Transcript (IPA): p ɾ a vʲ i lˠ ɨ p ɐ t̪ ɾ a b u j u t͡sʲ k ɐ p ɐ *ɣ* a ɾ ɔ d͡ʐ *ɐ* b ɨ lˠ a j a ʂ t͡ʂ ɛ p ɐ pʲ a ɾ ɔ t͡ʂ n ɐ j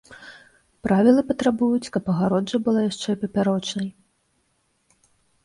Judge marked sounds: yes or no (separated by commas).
yes, yes